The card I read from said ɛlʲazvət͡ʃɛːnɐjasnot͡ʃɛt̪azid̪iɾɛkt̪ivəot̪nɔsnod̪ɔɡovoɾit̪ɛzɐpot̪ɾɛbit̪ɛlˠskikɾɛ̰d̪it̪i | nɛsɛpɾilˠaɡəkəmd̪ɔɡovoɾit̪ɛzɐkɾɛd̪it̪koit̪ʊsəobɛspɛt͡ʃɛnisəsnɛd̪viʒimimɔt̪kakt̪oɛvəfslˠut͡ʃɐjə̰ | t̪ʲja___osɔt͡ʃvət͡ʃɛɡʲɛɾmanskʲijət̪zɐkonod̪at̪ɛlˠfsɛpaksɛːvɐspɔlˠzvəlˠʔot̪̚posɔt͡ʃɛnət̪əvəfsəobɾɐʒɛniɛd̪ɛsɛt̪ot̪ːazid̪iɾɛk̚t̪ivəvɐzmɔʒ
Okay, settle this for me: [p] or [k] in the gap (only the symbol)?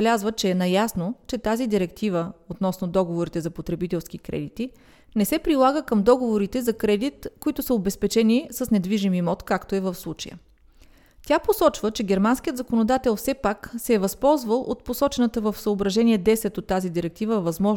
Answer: p